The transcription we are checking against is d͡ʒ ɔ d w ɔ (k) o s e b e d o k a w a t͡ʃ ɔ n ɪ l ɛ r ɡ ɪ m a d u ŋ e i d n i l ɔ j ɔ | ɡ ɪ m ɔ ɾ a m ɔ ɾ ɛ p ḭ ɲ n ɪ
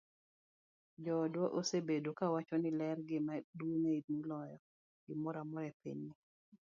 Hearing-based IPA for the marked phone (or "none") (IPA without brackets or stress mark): ʔ